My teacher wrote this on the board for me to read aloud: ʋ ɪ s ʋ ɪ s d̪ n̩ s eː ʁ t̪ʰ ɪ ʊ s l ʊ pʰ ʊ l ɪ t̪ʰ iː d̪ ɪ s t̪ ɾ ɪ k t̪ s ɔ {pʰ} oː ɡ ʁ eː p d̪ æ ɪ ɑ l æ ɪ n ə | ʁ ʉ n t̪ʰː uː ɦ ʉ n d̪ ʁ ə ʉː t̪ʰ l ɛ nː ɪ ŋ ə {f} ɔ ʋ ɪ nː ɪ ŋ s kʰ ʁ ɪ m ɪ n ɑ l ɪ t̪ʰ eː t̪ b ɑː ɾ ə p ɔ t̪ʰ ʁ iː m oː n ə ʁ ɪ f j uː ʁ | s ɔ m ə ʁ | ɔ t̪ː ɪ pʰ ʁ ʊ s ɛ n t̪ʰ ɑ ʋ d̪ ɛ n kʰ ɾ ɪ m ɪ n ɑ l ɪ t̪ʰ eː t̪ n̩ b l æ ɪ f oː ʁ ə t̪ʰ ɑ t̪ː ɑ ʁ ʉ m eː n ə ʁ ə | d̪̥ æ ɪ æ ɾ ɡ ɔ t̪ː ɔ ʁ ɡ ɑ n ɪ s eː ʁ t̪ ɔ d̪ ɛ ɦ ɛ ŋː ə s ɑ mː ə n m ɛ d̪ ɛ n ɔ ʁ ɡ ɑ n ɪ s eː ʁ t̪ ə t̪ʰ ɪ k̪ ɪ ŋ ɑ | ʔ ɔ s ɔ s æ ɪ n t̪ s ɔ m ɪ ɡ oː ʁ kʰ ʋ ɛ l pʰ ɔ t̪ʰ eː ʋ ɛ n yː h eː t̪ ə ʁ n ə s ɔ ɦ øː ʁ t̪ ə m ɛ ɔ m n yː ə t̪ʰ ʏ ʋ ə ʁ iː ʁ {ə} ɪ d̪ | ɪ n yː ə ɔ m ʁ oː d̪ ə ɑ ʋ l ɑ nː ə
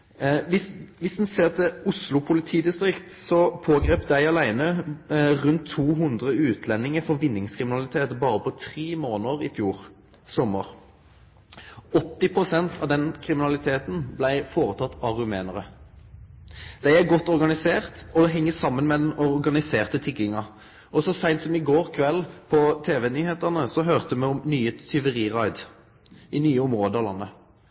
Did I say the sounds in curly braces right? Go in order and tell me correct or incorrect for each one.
correct, correct, incorrect: ɑ

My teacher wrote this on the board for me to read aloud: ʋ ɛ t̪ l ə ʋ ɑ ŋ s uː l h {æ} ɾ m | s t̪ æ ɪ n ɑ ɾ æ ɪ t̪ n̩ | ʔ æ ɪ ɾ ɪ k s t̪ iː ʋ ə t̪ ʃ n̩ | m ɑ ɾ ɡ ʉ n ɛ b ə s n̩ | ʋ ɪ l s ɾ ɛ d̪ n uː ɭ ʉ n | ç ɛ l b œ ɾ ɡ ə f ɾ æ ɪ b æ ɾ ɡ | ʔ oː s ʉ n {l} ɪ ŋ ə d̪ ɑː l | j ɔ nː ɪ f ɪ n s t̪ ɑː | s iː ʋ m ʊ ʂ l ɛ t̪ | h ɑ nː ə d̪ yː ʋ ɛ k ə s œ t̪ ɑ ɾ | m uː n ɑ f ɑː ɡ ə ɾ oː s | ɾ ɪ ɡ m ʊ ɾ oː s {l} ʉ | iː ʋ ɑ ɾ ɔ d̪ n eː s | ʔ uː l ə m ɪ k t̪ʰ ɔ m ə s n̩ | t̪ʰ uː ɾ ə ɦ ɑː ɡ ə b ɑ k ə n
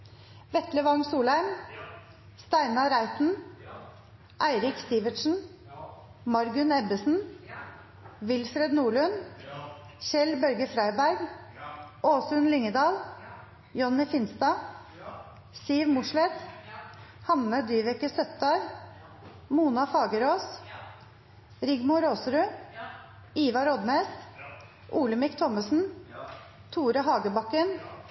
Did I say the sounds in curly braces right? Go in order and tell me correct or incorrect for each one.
correct, correct, incorrect: ɾ

